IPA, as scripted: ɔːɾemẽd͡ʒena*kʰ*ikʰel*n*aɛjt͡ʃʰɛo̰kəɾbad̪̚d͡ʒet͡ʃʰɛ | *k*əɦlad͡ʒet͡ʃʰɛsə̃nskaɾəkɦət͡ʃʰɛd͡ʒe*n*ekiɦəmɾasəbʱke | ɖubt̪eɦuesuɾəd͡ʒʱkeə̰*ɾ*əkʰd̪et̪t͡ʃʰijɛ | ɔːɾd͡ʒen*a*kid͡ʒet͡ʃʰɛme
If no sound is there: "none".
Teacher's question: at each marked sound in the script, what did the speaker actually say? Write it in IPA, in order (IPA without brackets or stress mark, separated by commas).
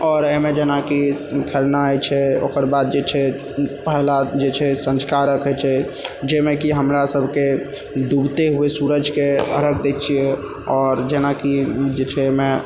k, n, p, m, ɾ, a